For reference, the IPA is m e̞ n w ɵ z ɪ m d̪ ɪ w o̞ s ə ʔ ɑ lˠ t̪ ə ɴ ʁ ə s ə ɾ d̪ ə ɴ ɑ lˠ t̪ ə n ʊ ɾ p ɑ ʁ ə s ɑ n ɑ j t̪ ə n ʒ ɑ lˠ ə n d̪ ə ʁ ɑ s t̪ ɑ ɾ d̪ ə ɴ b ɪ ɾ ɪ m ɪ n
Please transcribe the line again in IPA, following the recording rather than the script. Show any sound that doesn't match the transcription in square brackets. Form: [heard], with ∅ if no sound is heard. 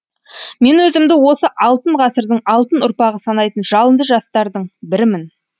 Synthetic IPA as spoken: m e̞ n w ɵ z ɪ m d̪ ɪ w o̞ s ə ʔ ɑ lˠ t̪ ə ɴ ʁ [ɑ] s ə ɾ d̪ ə ɴ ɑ lˠ t̪ ə n ʊ ɾ p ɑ ʁ ə s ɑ n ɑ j t̪ ə n ʒ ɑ lˠ ə n d̪ ə [ʒ] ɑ s t̪ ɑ ɾ d̪ ə ɴ b ɪ ɾ ɪ m ɪ n

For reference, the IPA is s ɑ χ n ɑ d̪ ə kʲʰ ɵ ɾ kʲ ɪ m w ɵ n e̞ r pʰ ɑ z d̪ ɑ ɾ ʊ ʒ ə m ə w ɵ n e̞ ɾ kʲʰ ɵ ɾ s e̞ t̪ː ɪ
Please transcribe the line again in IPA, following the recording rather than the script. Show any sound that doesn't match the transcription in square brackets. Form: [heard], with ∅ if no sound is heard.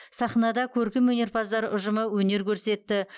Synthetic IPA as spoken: s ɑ χ n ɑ d̪ [ɑ] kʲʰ ɵ ɾ kʲ ɪ m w ɵ n e̞ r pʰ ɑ z d̪ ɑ ɾ ʊ ʒ ə m ə w ɵ n e̞ ɾ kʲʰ ɵ ɾ s e̞ t̪ː ɪ

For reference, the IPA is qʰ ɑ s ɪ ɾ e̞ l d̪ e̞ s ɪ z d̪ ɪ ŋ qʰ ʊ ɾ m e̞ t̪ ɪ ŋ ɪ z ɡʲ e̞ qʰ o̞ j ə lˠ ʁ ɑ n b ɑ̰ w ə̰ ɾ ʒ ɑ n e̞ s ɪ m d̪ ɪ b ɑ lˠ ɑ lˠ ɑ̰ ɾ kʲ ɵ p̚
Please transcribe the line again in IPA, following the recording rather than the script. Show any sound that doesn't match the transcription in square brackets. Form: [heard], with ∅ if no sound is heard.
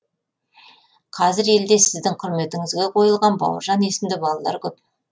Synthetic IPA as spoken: qʰ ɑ [z] ɪ ɾ e̞ l d̪ e̞ s ɪ z d̪ ɪ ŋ qʰ ʊ ɾ m e̞ t̪ ɪ ŋ ɪ z ɡʲ e̞ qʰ o̞ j ə lˠ ʁ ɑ n b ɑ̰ w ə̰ ɾ ʒ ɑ n e̞ s ɪ m d̪ ɪ b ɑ lˠ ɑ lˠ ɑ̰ ɾ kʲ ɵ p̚

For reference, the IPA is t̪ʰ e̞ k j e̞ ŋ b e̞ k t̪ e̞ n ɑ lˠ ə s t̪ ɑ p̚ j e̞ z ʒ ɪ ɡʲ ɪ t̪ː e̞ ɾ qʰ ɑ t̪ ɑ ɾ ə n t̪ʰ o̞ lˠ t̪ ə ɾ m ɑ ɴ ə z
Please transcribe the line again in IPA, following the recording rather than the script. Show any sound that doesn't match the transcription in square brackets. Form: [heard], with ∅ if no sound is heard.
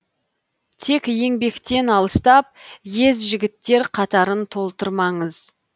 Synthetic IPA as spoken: t̪ʰ e̞ k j e̞ ŋ b e̞ k t̪ e̞ n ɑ lˠ ə s t̪ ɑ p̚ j e̞ z ʒ ɪ ɡʲ ɪ t̪ː e̞ ɾ qʰ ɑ t̪ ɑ ɾ ə n t̪ʰ o̞ lˠ t̪ ə ɾ m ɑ ɴ ə z

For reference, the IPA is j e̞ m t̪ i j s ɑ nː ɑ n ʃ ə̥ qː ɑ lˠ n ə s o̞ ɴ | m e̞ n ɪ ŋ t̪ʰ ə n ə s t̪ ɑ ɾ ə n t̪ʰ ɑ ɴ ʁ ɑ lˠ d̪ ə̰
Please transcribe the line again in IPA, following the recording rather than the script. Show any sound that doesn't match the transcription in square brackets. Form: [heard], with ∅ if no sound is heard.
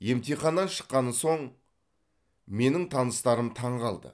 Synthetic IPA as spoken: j e̞ m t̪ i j [χ] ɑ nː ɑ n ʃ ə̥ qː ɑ [∅] n ə s o̞ ɴ | m e̞ n ɪ ŋ t̪ʰ [ɑ] n ə s t̪ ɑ ɾ ə [m] t̪ʰ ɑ ɴ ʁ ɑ lˠ d̪ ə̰

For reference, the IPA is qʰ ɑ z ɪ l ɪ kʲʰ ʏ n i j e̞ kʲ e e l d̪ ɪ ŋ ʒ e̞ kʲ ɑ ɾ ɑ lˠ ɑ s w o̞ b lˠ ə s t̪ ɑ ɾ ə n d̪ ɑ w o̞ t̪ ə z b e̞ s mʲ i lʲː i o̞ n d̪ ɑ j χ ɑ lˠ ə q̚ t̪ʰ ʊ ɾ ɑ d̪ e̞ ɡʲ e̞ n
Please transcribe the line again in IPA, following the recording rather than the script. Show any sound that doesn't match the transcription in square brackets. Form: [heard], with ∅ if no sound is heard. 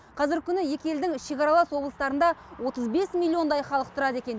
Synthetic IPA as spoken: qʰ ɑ z ɪ [ɾ] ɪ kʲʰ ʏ n [ɪ] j e̞ kʲ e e l d̪ ɪ ŋ [ʃ] e̞ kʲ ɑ ɾ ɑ lˠ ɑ s w o̞ b lˠ ə s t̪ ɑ ɾ ə n d̪ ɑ w o̞ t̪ ə z b e̞ s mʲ i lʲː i o̞ n d̪ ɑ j χ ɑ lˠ ə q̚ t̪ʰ ʊ ɾ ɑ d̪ e̞ [kʲ] e̞ n

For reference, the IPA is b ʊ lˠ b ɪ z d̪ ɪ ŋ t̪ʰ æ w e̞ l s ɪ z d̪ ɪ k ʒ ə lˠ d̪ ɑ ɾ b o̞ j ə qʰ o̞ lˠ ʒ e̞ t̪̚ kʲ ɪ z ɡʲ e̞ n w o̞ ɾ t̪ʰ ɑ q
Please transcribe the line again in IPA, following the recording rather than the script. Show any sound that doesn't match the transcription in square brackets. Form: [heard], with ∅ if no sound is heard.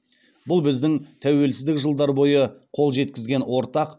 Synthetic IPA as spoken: b ʊ lˠ b ɪ z d̪ ɪ ŋ t̪ʰ æ w e̞ l s ɪ z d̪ ɪ k ʒ ə lˠ d̪ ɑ ɾ b o̞ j ə qʰ o̞ lˠ ʒ e̞ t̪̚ kʲ ɪ z ɡʲ e̞ n w o̞ ɾ [t̪] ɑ q

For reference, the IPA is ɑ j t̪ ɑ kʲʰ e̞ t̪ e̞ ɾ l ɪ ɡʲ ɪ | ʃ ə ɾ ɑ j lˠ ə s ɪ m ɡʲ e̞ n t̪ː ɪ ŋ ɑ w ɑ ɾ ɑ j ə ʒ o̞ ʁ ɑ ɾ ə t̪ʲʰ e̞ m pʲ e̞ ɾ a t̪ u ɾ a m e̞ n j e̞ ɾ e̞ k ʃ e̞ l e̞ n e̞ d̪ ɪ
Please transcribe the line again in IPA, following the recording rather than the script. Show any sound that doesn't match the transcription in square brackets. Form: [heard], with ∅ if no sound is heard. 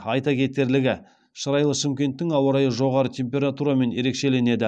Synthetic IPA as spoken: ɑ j t̪ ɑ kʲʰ e̞ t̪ e̞ ɾ l ɪ ɡʲ ɪ | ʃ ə ɾ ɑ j lˠ ə [ʃ] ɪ m [kʲ] e̞ n t̪ː ɪ ŋ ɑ w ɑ ɾ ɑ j ə ʒ o̞ ʁ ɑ ɾ ə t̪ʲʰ e̞ m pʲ e̞ ɾ a t̪ u ɾ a m e̞ n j e̞ ɾ e̞ k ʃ e̞ l e̞ n e̞ d̪ ɪ

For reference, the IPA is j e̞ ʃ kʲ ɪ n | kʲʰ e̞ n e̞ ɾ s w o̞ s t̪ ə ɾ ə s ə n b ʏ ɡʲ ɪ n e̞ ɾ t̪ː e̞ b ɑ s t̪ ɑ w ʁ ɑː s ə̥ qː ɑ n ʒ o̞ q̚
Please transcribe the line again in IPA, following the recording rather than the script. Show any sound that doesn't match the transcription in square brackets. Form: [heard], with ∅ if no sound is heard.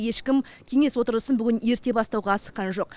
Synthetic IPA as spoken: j e̞ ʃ kʲ ɪ [m] | kʲʰ e̞ [ŋ] e̞ [∅] s w o̞ [∅] t̪ ə ɾ ə s ə n b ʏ ɡʲ ɪ n e̞ ɾ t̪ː e̞ b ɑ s t̪ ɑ w ʁ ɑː s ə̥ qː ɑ n ʒ o̞ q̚

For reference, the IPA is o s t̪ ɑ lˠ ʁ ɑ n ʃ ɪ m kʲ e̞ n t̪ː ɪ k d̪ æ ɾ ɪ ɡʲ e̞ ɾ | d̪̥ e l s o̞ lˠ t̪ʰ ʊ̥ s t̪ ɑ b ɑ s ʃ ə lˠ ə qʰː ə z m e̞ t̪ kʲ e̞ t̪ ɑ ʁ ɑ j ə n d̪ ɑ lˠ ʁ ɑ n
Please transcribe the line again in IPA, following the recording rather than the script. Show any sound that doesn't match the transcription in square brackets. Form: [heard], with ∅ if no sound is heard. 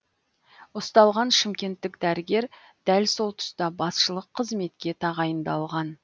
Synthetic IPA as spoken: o s t̪ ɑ lˠ ʁ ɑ n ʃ ɪ m kʲ e̞ n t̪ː ɪ k d̪ æ ɾ ɪ ɡʲ e̞ ɾ | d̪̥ [æ] l s o̞ lˠ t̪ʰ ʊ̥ s t̪ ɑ b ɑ s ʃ ə lˠ ə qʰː ə z m e̞ t̪ kʲ e̞ [t̪ʰ] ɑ ʁ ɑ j ə n d̪ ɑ lˠ ʁ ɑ n

